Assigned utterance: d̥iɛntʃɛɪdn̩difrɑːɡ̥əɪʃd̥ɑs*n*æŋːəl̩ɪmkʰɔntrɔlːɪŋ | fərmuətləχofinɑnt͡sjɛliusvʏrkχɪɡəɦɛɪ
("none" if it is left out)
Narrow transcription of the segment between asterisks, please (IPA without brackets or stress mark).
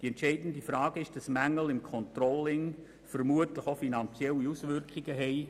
m